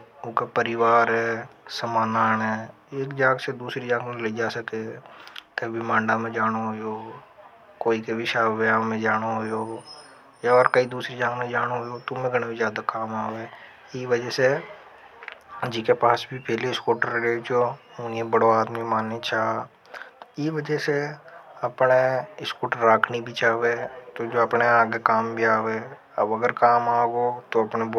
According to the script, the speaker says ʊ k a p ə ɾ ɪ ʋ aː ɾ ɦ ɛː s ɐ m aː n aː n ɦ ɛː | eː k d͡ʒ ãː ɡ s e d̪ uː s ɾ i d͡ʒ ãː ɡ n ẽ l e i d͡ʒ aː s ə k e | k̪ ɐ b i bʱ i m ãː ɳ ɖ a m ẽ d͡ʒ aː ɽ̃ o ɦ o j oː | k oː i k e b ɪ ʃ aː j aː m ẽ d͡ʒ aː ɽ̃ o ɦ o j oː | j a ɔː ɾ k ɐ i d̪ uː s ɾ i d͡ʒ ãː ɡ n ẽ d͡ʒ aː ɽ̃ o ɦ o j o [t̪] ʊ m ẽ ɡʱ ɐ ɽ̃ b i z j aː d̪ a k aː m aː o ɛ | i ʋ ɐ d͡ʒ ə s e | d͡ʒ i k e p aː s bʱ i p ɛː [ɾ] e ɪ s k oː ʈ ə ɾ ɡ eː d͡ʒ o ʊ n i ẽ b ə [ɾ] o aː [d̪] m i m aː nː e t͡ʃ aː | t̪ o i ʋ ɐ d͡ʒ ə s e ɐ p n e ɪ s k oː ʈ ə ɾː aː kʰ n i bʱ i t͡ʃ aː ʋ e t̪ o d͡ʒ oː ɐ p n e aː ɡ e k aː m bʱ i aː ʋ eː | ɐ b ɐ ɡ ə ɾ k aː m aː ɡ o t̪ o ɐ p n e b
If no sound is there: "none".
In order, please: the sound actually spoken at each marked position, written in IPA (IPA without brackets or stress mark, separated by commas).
t̪, l, ɽ, d̪